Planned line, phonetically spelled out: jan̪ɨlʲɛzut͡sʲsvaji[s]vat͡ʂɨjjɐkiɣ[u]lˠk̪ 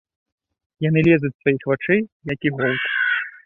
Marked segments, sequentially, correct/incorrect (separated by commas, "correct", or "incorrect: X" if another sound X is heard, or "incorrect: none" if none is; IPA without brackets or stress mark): incorrect: x, incorrect: ɔ